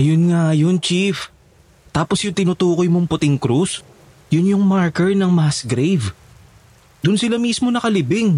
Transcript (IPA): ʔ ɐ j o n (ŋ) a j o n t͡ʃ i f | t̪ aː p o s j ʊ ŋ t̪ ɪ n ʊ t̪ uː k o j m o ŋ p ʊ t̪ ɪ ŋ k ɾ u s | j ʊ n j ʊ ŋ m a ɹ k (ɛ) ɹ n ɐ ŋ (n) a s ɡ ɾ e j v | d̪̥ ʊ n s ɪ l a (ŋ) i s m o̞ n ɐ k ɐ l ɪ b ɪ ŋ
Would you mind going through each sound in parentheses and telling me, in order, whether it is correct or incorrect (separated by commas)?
correct, correct, incorrect, incorrect